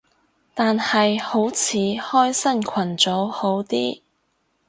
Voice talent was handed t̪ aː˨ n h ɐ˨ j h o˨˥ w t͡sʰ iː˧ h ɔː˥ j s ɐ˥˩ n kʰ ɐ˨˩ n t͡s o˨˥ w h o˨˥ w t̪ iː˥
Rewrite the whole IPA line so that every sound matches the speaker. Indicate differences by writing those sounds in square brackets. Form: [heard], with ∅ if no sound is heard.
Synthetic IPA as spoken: t̪ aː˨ n h ɐ˨ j h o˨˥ w t͡sʰ [iː˨˥] h ɔː˥ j s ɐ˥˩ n kʰ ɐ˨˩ n t͡s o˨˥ w h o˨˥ w t̪ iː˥